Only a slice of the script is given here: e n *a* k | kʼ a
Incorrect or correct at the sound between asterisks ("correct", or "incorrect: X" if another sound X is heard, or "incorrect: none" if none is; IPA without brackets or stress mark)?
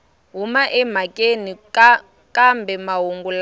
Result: incorrect: i